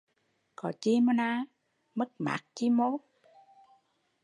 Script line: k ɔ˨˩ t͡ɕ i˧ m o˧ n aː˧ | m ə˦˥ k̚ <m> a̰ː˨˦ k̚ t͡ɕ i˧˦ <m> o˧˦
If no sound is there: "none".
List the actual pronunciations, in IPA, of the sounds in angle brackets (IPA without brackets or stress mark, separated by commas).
m, m